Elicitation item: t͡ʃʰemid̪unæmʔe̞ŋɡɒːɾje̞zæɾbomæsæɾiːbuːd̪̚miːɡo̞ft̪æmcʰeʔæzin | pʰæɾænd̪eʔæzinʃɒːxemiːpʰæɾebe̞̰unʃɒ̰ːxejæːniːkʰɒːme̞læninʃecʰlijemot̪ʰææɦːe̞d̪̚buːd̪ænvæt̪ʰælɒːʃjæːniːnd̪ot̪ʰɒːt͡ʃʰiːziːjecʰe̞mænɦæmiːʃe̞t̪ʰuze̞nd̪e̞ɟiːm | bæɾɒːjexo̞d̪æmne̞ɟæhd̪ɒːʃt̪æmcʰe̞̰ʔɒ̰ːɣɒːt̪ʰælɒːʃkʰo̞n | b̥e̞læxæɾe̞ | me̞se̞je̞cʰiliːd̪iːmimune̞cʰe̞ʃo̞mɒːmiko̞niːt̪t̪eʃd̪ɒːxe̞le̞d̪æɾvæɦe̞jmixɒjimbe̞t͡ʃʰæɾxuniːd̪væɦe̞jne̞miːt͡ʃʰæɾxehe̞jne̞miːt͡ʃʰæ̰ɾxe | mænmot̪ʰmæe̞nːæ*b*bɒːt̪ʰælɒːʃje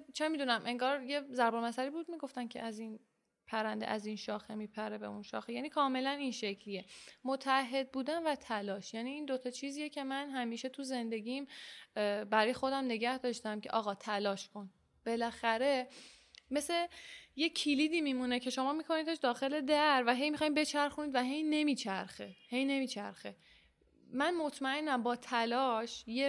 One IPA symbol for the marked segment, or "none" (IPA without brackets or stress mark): m